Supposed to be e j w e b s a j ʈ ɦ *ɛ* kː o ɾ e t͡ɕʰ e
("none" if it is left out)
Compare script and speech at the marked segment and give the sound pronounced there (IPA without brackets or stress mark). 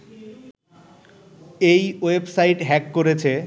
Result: ɛ